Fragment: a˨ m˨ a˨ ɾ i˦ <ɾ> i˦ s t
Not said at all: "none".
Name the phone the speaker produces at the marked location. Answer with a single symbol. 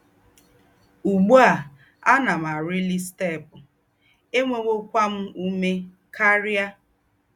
l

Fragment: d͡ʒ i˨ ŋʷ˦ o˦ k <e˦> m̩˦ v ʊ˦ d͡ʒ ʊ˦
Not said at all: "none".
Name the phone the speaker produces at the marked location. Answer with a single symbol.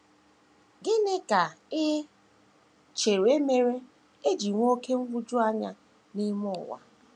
e˦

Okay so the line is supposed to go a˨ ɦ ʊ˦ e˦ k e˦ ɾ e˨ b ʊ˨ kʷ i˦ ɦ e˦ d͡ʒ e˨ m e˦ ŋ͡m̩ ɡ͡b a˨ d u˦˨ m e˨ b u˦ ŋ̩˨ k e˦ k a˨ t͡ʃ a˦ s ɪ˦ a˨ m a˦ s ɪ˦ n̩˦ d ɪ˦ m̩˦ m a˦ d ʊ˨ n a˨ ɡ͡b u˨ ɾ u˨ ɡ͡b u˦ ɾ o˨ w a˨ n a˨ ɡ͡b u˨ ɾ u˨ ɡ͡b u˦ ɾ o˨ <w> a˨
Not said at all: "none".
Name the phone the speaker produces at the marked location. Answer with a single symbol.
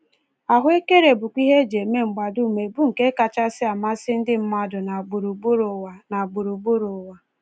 w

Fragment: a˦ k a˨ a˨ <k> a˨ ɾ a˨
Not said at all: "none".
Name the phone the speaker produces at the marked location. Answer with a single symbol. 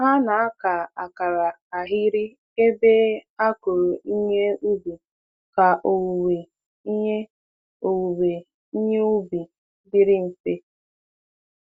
k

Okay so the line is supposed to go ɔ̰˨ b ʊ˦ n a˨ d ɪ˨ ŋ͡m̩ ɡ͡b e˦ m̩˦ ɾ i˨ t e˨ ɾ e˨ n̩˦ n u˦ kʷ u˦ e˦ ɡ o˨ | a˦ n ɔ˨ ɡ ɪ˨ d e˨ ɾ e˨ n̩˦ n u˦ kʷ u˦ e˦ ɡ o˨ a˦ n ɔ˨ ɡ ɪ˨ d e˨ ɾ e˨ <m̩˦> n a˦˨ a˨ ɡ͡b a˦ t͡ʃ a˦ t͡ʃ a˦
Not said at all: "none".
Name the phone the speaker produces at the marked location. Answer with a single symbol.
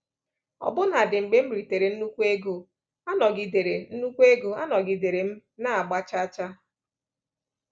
m̩˦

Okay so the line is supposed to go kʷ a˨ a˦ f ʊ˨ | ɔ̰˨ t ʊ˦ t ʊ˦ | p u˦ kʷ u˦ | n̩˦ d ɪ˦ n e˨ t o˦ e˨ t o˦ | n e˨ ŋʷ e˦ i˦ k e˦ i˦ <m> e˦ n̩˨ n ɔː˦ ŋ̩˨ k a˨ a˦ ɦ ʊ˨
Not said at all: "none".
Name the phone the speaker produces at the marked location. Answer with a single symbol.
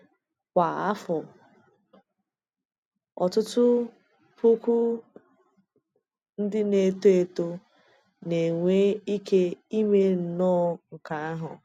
m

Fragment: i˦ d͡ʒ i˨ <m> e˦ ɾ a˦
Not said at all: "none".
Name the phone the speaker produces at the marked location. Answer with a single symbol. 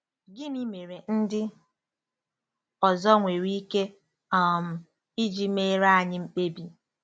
m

